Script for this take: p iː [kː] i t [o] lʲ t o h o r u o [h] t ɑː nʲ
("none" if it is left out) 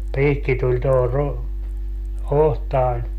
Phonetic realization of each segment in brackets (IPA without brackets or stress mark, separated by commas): kː, u, h